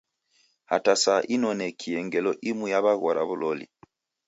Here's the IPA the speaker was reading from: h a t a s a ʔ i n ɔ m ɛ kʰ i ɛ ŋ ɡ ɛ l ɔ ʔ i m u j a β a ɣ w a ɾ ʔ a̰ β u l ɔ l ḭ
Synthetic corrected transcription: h a t a s a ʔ i n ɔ n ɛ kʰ i ɛ ŋ ɡ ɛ l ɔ ʔ i m u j a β a ɣ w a ɾ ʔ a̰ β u l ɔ l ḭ

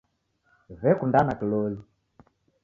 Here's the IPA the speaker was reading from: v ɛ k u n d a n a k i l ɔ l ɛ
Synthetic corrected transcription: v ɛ k u n d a n a k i l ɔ l i

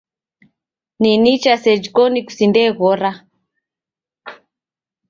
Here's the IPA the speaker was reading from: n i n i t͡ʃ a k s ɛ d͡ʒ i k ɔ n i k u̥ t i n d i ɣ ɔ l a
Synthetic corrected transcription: n i n i t͡ʃ a s ɛ d͡ʒ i k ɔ n i k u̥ s i n d ɛ ɣ ɔ ɾ a

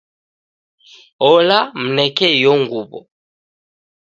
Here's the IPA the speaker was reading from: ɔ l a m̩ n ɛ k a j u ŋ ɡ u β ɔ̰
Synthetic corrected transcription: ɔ l a m̩ n ɛ k ɛ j ɔ ŋ ɡ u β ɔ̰

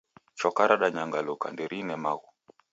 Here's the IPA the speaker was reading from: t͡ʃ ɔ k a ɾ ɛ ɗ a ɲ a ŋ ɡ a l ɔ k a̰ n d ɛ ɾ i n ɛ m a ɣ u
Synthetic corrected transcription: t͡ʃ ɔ k a ɾ a ɗ a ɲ a ŋ ɡ a l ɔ k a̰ n d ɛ ɾ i n ɛ m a ɣ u

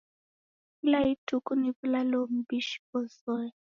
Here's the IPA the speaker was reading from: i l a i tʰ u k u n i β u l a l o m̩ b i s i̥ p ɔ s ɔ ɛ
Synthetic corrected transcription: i l a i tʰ u k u n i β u l a l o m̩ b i ʃ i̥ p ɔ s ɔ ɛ

